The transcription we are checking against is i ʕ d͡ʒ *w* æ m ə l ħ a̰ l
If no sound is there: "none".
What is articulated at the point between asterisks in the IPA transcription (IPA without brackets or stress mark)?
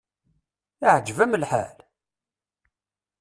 v